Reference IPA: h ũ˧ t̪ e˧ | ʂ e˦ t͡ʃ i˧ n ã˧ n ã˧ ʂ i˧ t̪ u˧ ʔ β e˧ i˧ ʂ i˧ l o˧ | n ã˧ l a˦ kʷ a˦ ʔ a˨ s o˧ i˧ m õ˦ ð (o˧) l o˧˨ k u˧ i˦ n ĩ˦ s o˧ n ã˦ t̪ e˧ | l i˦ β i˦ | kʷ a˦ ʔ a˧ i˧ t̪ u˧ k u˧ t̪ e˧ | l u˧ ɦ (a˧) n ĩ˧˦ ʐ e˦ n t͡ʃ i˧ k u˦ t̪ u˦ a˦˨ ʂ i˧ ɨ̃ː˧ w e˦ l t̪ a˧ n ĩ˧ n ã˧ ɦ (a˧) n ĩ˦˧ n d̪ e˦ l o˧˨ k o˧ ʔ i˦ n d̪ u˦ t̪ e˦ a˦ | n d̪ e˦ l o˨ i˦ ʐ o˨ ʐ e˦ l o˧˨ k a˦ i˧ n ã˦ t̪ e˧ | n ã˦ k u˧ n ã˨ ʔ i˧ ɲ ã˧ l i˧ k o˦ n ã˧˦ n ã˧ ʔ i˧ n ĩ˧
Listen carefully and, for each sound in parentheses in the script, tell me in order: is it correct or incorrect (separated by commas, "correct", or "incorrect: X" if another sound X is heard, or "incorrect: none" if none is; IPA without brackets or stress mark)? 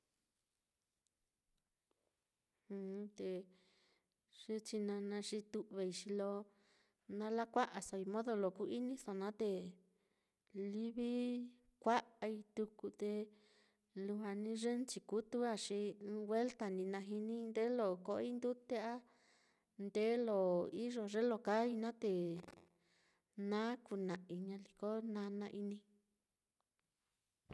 correct, correct, incorrect: i˧